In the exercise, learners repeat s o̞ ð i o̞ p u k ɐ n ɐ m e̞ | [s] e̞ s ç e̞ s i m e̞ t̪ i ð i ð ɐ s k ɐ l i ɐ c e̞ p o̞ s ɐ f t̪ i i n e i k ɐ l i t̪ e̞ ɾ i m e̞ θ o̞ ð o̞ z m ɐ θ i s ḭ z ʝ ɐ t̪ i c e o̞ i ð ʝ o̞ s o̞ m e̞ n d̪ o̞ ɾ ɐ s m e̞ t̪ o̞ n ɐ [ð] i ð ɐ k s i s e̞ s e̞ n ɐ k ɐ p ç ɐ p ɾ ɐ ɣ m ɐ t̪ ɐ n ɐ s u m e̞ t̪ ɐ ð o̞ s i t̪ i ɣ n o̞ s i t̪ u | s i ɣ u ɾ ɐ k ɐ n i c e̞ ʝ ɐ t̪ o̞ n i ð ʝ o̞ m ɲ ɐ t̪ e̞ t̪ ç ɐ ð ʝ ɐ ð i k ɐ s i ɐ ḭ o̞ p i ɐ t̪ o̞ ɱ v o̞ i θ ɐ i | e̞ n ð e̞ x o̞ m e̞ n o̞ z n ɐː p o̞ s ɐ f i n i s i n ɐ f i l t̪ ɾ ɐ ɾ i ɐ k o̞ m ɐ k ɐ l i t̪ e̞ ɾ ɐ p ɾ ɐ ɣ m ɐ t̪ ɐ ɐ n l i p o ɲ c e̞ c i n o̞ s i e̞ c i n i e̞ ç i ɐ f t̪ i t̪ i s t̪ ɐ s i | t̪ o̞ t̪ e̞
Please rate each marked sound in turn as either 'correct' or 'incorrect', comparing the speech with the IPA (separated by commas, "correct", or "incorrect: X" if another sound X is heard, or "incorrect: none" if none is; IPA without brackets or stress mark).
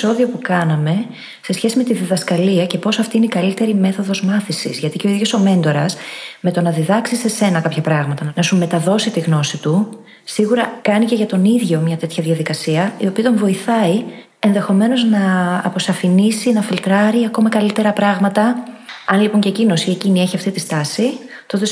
correct, correct